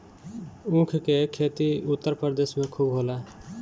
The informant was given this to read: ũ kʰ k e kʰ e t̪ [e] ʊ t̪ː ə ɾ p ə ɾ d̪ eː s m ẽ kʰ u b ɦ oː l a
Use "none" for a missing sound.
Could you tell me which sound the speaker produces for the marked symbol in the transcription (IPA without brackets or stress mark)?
i